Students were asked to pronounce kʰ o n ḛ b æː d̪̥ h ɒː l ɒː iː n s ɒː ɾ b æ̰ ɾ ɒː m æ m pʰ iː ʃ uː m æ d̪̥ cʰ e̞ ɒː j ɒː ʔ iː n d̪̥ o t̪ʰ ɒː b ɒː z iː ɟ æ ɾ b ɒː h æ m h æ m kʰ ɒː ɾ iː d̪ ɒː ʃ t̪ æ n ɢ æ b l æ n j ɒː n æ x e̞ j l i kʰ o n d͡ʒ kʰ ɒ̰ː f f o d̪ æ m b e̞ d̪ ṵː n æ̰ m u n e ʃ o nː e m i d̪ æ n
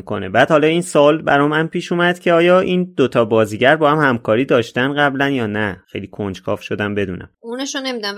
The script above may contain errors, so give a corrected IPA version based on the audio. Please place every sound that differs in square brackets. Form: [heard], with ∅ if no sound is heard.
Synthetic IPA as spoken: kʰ o n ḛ b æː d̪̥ h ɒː l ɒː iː n s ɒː [l] b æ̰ ɾ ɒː m æ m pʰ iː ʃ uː m æ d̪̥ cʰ e̞ ɒː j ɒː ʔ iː n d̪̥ o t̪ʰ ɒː b ɒː z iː ɟ æ ɾ b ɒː h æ m h æ m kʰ ɒː ɾ iː d̪ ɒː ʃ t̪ æ n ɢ æ b l æ n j ɒː n æ x e̞ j l i kʰ o n d͡ʒ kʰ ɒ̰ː f [ʃ] o d̪ æ m b e̞ d̪ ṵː n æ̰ m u n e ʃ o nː e m i d̪ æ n